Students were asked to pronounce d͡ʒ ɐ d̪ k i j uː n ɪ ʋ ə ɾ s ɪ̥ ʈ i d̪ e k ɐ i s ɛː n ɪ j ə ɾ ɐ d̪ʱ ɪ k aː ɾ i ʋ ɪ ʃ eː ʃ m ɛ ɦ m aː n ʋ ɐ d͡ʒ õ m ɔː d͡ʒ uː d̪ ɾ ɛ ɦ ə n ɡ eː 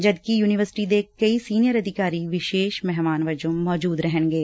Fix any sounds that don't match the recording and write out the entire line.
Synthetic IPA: d͡ʒ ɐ d̪ k i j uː n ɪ ʋ ə ɾ s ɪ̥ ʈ i d̪ e k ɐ i s iː n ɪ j ə ɾ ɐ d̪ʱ ɪ k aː ɾ i ʋ ɪ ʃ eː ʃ m ɛ ɦ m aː n ʋ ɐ d͡ʒ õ m ɔː d͡ʒ uː d̪ ɾ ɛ ɦ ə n ɡ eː